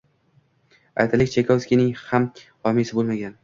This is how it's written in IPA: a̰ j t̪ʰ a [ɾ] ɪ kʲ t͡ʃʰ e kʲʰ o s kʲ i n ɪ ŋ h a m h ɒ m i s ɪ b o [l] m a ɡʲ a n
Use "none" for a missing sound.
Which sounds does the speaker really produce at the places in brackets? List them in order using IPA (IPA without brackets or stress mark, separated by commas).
l, l